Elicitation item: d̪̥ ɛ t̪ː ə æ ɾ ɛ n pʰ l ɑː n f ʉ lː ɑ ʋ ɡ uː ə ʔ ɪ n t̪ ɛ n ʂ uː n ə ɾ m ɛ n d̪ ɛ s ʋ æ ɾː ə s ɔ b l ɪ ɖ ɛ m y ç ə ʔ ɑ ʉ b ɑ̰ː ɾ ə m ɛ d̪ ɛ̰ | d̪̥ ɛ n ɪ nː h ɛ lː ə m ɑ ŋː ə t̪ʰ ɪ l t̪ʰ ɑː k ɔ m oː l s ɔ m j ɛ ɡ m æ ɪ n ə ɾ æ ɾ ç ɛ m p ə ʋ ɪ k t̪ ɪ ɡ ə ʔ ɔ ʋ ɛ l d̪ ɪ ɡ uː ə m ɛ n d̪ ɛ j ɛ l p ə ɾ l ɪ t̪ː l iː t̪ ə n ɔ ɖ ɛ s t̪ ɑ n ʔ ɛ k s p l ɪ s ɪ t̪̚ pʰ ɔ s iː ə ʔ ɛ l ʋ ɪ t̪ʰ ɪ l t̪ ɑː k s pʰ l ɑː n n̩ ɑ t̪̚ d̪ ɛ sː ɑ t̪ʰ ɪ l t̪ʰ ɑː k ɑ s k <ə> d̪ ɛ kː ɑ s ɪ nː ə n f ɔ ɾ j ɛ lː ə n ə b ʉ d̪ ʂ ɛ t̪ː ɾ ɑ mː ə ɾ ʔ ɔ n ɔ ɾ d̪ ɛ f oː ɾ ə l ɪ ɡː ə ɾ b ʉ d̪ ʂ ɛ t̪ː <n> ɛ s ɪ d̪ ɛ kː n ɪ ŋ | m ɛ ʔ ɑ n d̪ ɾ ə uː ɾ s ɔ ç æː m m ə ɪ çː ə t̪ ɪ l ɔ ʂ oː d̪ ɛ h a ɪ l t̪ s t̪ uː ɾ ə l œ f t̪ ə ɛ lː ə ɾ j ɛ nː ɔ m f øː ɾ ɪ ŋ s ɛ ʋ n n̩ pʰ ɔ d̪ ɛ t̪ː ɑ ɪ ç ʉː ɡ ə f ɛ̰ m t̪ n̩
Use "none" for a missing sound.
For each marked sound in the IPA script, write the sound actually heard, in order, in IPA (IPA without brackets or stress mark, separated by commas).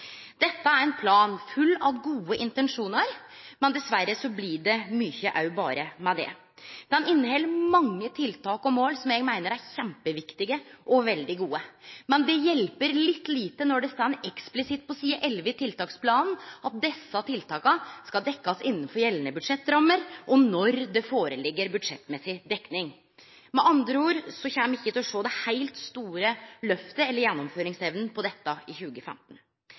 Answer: ɑ, m